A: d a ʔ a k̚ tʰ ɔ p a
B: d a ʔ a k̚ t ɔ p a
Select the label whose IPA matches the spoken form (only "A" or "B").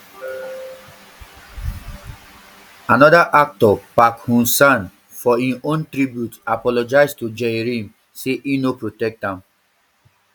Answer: B